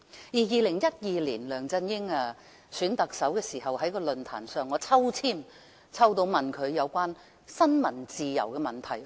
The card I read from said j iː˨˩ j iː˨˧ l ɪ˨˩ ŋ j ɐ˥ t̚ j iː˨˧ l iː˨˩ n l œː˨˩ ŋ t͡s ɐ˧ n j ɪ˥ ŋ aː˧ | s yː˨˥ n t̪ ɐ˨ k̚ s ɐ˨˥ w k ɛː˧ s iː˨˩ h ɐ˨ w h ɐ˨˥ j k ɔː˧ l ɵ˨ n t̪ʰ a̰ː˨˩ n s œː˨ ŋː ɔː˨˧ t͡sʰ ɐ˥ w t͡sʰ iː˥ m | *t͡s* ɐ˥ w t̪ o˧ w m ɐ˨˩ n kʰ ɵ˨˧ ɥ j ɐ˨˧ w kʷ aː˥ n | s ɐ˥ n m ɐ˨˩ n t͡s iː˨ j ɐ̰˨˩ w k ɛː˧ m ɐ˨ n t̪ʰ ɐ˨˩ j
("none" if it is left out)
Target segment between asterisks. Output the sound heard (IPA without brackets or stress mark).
t͡sʰ